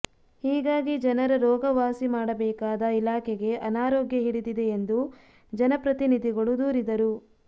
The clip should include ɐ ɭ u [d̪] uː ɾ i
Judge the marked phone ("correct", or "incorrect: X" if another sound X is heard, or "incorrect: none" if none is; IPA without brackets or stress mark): correct